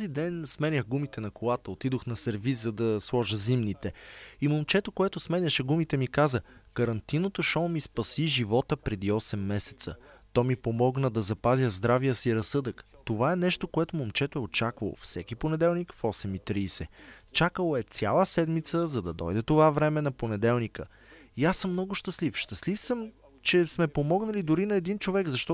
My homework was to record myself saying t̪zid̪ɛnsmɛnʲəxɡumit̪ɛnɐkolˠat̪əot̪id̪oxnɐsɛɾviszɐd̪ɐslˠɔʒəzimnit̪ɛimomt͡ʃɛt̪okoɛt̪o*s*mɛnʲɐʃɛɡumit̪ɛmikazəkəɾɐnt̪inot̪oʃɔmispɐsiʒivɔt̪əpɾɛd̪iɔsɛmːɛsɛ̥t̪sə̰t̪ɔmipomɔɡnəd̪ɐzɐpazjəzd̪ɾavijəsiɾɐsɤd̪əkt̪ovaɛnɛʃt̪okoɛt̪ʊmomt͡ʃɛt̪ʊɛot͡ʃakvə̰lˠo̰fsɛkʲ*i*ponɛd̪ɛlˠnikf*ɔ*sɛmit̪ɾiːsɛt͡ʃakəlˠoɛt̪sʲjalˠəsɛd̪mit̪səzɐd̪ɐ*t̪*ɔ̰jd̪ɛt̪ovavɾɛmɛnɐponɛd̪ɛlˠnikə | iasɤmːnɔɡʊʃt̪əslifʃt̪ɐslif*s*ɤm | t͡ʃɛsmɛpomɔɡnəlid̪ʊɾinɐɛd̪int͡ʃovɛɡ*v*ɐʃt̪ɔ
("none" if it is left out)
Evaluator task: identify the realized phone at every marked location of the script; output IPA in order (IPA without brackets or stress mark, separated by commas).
s, i, ɔ, d̪, s, z